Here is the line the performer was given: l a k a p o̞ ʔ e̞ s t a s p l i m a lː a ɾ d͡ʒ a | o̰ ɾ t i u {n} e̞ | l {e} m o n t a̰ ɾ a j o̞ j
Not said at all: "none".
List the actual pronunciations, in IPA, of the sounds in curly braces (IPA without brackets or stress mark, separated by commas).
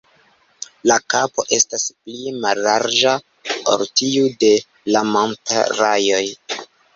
d, a